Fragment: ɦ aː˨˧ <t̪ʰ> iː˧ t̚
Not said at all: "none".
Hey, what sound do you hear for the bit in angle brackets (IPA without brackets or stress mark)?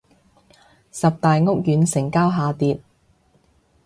t̪